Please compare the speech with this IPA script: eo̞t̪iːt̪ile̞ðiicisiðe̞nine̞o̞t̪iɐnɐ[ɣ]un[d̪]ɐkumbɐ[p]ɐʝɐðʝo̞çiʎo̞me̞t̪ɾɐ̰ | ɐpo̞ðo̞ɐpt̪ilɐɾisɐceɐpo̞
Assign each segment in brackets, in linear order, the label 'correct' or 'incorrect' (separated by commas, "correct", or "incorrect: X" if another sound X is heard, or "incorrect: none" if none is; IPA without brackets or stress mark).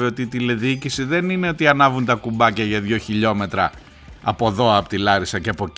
incorrect: v, incorrect: t̪, incorrect: c